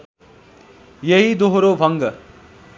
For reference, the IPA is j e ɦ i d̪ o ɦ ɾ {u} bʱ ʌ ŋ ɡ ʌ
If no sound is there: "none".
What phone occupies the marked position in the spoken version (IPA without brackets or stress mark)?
o